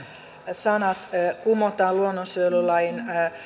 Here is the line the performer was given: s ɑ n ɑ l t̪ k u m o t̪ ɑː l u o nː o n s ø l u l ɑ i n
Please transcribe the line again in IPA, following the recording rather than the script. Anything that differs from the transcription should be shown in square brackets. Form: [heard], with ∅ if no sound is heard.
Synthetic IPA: s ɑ n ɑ [∅] t̪ k u m o t̪ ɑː l u o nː o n s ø l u l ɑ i n